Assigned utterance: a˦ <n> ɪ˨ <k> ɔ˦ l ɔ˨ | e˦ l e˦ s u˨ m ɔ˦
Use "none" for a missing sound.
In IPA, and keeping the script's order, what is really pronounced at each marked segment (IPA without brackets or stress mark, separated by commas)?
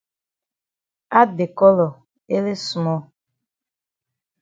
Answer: d, k